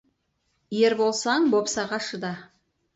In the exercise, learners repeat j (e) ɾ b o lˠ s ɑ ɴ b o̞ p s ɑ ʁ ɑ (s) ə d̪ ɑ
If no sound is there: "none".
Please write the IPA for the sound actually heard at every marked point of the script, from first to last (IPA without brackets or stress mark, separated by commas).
e, ʃ